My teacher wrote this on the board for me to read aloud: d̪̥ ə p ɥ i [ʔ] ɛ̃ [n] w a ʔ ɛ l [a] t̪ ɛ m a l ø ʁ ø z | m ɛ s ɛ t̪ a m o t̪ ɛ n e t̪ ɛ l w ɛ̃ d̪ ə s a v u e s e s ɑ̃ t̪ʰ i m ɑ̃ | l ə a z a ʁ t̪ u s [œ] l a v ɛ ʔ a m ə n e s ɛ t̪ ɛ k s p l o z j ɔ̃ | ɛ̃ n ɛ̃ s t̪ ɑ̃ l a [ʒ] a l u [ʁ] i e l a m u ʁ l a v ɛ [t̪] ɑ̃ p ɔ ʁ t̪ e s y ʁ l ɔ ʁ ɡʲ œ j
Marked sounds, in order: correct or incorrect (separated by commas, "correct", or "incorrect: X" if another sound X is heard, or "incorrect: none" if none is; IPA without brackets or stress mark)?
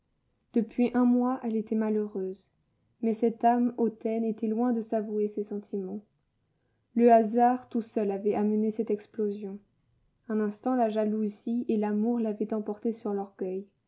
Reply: correct, incorrect: m, incorrect: e, correct, correct, incorrect: z, correct